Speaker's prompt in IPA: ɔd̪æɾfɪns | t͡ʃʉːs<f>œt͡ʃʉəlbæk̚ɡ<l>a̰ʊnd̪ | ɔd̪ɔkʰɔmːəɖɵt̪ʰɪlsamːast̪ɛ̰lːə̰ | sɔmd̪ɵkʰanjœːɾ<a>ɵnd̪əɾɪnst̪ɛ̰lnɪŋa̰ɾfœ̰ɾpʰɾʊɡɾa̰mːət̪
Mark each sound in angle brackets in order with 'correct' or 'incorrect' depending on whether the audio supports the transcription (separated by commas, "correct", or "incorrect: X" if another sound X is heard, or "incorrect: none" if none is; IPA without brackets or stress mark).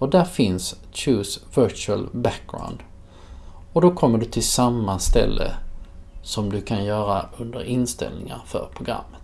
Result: incorrect: v, incorrect: ɾ, correct